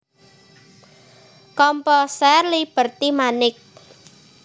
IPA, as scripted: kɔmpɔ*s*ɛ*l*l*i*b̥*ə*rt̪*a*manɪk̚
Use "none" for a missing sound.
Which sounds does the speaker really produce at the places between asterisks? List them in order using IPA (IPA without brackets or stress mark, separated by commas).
s, r, i, ə, i